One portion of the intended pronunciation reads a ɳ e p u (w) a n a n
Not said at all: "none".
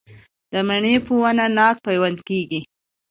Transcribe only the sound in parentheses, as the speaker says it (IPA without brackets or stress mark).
w